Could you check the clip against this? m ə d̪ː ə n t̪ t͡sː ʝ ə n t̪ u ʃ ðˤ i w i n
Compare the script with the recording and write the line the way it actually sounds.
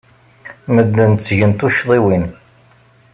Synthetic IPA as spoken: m ə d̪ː ə n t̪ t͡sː ʝ ə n t̪ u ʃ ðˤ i w i n